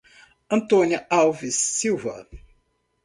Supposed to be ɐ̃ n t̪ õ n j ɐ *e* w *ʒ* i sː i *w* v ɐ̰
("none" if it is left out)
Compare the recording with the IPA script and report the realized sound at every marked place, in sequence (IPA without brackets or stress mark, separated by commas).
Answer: a, v, w